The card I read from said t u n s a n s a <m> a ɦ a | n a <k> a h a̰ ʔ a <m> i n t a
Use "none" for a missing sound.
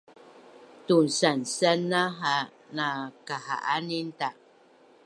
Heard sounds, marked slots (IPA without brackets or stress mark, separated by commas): n, k, n